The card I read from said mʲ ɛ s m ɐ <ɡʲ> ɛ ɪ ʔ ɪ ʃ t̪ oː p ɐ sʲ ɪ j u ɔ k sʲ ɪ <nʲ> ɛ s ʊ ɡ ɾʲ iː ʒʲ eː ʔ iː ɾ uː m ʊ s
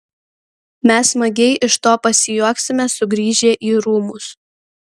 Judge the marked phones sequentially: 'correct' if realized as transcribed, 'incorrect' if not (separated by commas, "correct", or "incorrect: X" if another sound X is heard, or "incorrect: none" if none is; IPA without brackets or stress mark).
correct, incorrect: mʲ